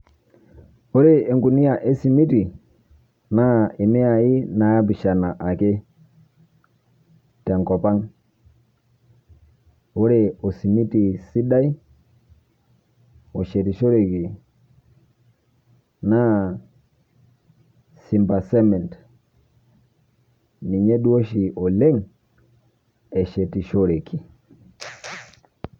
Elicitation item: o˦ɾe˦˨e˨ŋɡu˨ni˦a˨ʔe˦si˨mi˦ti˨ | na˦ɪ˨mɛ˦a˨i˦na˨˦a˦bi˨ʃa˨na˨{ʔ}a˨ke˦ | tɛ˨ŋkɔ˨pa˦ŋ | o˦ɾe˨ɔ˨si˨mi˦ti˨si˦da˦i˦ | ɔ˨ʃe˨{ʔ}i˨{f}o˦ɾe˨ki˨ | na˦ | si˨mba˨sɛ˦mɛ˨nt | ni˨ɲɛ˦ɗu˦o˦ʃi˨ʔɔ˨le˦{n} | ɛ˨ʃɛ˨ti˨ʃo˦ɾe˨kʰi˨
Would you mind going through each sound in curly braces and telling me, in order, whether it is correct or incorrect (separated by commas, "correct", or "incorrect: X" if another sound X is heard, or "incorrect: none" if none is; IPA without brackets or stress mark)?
correct, incorrect: t, incorrect: ʃ, incorrect: ŋ